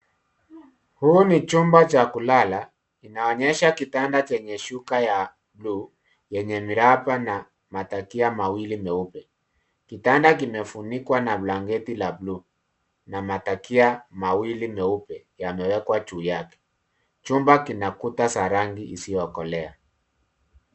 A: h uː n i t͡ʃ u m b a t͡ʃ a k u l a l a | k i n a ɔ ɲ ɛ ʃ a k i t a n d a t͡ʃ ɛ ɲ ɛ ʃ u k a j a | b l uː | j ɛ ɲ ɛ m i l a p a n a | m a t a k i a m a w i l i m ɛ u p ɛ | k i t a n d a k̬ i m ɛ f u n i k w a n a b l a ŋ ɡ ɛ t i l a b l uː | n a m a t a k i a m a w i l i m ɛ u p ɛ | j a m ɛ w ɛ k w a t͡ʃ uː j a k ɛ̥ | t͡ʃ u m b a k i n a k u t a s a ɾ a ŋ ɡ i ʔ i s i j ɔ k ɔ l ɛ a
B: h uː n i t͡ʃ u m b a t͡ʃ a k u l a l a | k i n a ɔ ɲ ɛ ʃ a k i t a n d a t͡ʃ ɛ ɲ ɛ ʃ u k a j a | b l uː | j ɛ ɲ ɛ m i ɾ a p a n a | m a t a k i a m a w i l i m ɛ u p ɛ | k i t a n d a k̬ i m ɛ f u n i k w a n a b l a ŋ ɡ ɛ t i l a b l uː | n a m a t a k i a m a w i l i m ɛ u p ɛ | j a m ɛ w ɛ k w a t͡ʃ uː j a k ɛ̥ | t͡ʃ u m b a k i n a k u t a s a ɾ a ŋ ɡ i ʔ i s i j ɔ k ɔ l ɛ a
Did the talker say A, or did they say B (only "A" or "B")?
B